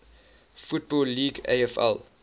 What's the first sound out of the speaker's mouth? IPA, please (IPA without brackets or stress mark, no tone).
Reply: f